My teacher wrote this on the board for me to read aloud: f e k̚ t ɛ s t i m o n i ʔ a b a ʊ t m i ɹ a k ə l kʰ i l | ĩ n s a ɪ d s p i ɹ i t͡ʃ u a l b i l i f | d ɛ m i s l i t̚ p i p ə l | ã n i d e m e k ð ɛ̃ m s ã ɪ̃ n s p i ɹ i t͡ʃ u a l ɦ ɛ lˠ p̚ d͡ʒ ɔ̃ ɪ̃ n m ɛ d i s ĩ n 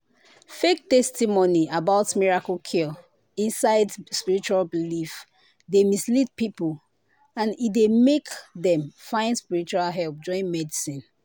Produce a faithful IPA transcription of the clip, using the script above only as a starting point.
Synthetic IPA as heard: f e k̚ t ɛ s t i m o n i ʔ a b a ʊ t m i ɹ a k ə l kʰ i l | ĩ n s a ɪ d s p i ɹ i t͡ʃ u a l b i l i f | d e m i s l i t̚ p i p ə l | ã n i d e m e k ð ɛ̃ m f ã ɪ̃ n s p i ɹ i t͡ʃ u a l ɦ ɛ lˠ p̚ d͡ʒ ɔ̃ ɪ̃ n m ɛ d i s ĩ n